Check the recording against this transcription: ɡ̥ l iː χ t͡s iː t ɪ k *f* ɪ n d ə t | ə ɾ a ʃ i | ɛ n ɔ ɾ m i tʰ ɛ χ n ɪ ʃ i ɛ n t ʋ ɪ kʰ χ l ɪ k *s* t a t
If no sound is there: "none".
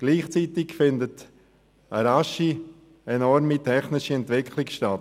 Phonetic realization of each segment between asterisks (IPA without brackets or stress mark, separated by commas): f, ʃ